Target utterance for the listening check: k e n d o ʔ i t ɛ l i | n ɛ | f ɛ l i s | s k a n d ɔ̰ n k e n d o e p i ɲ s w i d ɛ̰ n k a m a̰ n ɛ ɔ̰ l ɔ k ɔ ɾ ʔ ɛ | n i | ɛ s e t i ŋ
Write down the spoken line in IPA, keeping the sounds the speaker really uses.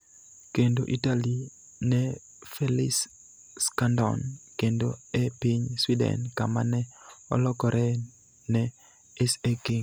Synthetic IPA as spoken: k e n d o ʔ i t a l i | n ɛ | f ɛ l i s | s k a n d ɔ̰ n k e n d o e p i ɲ s w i d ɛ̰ n k a m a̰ n ɛ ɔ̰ l ɔ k ɔ ɾ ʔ ɛ | n ɛ | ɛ s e k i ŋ